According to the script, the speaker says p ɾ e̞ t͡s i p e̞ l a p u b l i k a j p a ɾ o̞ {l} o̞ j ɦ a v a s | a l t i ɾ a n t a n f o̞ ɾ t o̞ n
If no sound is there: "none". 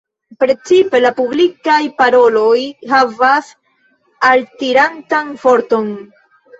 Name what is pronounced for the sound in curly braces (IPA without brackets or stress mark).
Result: l